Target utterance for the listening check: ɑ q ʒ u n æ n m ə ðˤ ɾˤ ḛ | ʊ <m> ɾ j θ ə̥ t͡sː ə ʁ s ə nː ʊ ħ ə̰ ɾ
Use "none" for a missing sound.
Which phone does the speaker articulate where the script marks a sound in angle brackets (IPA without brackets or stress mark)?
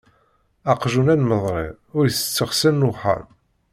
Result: none